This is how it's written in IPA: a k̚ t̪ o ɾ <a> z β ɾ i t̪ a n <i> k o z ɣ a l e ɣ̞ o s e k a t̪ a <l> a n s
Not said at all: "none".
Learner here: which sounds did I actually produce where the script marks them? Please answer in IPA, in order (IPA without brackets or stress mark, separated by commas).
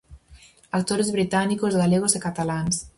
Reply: e, i, l